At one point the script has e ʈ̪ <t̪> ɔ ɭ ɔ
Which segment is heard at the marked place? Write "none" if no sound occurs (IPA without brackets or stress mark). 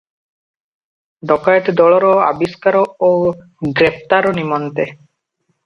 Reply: d̪